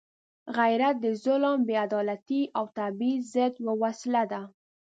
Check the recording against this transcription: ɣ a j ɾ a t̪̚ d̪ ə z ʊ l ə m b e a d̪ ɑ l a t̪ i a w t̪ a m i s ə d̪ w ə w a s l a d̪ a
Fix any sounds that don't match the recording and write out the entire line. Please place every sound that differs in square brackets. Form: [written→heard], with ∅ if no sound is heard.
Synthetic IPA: ɣ a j ɾ a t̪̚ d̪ ə z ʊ l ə m b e a d̪ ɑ l a t̪ i a w t̪ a [m→b] i [s→z] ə d̪ w ə w a s l a d̪ a